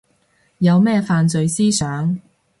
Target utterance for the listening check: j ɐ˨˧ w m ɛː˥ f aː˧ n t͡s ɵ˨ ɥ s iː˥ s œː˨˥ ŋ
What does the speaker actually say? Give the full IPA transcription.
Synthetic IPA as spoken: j ɐ˨˧ w m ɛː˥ f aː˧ n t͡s ɵ˨ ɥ s iː˥ s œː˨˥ ŋ